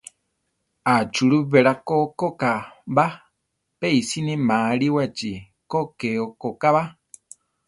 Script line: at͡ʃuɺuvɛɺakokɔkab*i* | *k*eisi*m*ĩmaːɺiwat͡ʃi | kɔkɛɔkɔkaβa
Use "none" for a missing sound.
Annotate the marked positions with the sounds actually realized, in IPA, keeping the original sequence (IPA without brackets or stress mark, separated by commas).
a, p, n